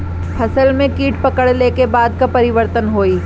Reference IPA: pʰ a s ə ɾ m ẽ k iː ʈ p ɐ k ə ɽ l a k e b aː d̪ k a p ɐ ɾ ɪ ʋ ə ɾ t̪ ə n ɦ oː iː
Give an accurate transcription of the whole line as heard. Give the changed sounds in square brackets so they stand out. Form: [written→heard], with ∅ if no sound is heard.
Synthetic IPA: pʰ [a→ɐ] s ə [ɾ→l] m ẽ k iː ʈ p ɐ k ə ɽ l [a→e] k e b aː d̪ k a p ɐ ɾ ɪ ʋ ə ɾ t̪ ə n ɦ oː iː